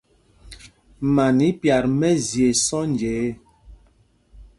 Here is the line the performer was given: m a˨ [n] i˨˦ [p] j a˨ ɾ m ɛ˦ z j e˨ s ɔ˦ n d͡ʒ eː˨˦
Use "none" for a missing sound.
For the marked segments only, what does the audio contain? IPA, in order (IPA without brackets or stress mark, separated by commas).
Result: n, p